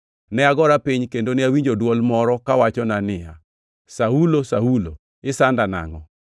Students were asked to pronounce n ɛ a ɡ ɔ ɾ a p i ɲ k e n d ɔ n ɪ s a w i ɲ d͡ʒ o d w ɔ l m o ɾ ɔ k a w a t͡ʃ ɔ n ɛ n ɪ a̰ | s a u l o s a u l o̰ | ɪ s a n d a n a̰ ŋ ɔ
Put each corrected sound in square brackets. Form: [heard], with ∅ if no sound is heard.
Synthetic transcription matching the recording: n ɛ a ɡ ɔ ɾ a p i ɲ k e n d [o] n ɪ [∅] a w i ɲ d͡ʒ o d w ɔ l m [ɔ] ɾ ɔ k a w a t͡ʃ ɔ n [a] n ɪ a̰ | s a u l o s a u l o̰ | ɪ s a n d a n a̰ ŋ ɔ